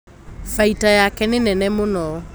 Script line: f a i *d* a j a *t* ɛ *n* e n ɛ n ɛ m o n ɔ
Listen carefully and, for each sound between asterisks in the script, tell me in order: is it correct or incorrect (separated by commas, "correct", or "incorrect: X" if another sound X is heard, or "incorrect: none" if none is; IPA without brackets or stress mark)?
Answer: incorrect: t, incorrect: k, correct